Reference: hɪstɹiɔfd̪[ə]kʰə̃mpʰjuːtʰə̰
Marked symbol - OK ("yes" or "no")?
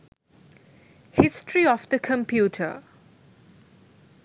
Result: yes